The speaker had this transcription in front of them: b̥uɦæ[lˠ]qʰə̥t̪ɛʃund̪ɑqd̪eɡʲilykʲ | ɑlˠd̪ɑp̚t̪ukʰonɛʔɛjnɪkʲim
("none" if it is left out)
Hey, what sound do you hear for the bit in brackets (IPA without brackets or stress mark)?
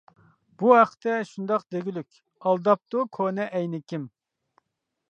none